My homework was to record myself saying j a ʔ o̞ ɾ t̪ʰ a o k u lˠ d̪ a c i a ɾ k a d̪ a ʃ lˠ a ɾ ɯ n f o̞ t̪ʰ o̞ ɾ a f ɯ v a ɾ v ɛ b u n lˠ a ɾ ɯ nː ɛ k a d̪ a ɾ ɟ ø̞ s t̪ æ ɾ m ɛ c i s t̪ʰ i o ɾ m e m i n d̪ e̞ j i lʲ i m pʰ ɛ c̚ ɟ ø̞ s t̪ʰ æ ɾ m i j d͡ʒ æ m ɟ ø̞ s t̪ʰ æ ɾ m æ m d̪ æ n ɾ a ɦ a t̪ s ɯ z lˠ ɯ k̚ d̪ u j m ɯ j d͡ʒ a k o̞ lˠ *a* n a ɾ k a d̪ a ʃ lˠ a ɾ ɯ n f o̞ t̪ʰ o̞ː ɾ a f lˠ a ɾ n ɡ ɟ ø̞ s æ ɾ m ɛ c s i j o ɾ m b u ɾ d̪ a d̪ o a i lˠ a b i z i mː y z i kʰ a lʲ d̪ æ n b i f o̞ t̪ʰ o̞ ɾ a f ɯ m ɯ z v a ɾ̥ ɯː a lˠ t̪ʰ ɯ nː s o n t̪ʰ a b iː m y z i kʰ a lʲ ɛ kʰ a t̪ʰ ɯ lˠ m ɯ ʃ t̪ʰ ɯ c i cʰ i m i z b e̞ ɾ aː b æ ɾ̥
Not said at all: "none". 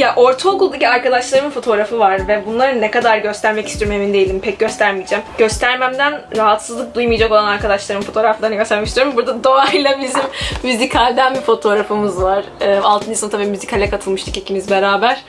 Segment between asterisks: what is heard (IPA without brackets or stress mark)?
a